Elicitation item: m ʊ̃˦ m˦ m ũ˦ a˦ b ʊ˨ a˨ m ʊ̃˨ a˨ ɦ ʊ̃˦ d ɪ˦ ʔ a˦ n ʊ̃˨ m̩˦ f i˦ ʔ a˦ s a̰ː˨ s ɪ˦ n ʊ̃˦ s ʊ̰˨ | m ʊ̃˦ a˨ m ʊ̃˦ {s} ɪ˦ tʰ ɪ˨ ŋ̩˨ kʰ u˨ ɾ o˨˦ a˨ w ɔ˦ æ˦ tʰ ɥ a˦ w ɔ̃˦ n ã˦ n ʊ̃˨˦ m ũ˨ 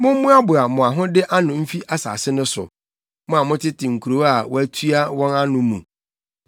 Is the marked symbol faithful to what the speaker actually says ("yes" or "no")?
no